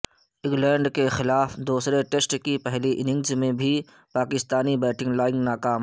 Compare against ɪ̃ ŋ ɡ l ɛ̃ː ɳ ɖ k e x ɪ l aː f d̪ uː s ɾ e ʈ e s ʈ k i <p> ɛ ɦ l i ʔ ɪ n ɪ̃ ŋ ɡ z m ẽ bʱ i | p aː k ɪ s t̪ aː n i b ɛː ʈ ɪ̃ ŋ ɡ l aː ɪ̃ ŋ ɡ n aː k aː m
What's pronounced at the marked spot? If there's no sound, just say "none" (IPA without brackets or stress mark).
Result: p